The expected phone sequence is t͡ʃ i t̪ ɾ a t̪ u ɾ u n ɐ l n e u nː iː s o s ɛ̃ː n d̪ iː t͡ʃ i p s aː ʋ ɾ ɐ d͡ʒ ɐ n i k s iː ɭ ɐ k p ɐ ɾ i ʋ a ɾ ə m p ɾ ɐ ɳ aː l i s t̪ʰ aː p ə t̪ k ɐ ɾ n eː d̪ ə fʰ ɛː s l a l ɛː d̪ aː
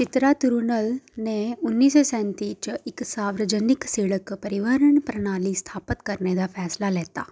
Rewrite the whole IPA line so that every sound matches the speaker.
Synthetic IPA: t͡ʃ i t̪ ɾ a t̪ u ɾ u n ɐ l n e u nː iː s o s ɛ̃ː n t̪ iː t͡ʃ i k s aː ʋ ɾ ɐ d͡ʒ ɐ n i k s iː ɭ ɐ k p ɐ ɾ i ʋ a ɾ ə ɳ p ɾ ɐ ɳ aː l i s t̪ʰ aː p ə t̪ k ɐ ɾ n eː d̪ a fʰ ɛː s l a l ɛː t̪ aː